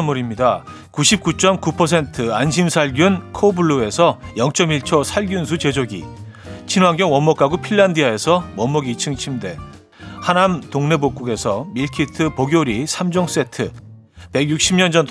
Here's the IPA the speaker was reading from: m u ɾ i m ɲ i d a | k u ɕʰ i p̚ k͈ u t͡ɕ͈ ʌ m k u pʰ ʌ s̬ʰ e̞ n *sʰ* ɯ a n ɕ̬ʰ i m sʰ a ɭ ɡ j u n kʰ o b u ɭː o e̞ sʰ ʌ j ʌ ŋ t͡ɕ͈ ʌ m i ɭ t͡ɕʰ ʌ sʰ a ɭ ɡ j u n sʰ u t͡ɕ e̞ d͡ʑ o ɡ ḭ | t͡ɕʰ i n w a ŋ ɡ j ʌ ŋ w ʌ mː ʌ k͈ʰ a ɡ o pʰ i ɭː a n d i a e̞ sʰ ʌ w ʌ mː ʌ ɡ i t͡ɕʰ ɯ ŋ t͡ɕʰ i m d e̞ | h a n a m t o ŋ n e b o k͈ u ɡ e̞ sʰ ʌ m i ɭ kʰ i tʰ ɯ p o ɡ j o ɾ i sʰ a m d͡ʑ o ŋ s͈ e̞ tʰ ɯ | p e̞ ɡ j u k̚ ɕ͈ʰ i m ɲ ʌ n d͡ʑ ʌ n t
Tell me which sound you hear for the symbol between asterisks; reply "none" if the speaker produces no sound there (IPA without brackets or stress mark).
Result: tʰ